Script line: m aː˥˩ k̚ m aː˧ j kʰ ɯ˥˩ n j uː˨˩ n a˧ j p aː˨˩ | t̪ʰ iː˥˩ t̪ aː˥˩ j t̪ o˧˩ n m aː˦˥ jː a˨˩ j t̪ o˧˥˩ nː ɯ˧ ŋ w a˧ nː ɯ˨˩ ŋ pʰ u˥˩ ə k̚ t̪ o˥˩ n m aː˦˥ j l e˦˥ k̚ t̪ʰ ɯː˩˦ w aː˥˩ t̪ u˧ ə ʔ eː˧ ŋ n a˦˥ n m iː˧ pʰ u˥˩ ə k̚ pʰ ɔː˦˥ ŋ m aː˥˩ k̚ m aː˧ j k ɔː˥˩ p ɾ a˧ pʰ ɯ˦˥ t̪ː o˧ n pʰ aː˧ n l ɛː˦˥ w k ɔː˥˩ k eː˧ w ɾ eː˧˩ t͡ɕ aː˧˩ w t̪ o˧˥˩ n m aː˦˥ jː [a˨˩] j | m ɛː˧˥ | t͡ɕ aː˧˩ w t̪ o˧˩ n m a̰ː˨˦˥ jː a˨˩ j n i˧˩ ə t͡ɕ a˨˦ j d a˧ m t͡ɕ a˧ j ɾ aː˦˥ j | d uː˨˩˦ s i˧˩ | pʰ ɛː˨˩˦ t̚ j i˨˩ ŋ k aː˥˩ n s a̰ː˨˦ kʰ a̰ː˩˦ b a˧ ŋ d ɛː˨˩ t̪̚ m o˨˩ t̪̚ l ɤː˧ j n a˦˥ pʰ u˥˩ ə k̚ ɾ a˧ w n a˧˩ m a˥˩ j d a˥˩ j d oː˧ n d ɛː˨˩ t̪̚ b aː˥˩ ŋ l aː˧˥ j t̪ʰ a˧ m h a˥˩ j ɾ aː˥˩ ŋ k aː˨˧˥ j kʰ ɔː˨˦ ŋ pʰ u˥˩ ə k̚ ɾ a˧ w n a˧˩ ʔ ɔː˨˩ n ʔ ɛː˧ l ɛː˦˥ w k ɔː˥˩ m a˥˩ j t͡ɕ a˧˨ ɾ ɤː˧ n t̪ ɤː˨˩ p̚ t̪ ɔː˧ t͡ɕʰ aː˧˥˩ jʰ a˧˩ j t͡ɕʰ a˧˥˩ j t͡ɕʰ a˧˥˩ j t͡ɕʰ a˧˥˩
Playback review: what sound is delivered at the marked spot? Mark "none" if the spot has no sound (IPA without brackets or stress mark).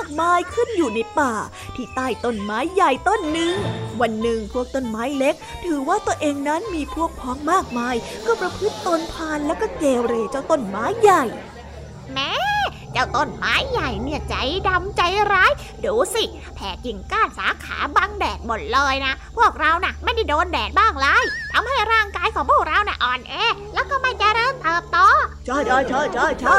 a˨˩